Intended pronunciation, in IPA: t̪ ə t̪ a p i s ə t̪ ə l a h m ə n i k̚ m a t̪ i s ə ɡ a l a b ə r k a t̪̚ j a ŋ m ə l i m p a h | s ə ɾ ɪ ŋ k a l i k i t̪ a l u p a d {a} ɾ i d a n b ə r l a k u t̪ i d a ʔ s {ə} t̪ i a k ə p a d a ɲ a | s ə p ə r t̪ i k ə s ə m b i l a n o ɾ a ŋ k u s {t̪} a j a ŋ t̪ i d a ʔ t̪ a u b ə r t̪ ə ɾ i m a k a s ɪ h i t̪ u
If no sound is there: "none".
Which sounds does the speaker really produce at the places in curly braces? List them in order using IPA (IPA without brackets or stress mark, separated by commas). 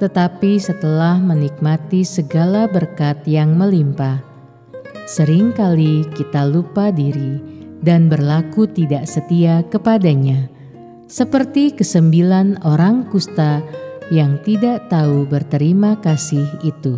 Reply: i, ə, t̪